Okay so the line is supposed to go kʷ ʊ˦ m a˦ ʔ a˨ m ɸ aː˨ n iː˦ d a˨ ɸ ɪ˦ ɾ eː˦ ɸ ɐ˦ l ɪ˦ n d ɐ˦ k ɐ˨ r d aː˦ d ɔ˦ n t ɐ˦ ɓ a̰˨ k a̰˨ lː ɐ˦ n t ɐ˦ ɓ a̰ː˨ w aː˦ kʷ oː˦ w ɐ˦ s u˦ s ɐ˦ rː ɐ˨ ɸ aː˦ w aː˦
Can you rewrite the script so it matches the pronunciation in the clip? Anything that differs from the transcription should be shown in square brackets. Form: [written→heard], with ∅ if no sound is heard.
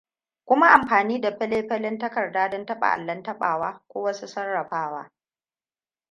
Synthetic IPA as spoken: kʷ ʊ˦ m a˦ ʔ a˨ m ɸ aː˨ n iː˦ d a˨ ɸ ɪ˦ [ɾ→l] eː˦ ɸ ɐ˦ l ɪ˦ n [d→t] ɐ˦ k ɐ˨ r d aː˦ d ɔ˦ n t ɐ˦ ɓ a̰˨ [k→ʔ] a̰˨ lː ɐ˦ n t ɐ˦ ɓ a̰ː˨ w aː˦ kʷ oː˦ w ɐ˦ s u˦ s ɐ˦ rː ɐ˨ ɸ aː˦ w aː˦